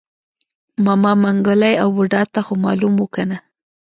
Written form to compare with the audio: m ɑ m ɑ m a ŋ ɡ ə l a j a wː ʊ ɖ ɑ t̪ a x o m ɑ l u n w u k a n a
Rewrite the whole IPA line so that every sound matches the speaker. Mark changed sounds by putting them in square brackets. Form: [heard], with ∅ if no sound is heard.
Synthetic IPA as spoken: m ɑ m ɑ m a ŋ ɡ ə l a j a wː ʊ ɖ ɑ t̪ a x o m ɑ l u [m] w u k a n a